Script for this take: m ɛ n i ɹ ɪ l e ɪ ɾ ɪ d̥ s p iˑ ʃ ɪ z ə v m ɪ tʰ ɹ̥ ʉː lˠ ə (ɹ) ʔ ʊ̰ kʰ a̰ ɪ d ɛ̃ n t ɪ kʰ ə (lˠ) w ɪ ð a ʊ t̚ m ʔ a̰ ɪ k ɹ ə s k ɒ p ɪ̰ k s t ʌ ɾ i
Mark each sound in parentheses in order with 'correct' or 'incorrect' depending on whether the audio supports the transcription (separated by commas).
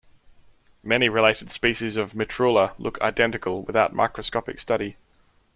incorrect, correct